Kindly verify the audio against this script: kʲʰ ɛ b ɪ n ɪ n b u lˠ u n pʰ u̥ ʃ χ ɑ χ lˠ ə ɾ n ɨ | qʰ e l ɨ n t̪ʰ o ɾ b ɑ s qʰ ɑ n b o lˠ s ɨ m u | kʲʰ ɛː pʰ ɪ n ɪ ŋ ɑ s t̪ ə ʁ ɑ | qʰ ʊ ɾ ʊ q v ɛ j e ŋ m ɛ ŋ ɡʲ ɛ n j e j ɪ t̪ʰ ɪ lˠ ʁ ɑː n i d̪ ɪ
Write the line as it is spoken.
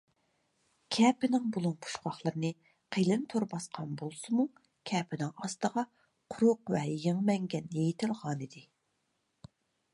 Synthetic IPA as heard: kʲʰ ɛ p ɪ n ɪ ŋ b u lˠ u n pʰ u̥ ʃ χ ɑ χ lˠ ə ɾ n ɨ | qʰ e l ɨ n t̪ʰ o ɾ b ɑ s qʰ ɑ n b o lˠ s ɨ m u | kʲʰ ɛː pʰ ɪ n ɪ ŋ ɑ s t̪ ə ʁ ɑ | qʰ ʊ ɾ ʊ q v ɛ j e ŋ m ɛ ŋ ɡʲ ɛ n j e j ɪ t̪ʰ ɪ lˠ ʁ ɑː n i d̪ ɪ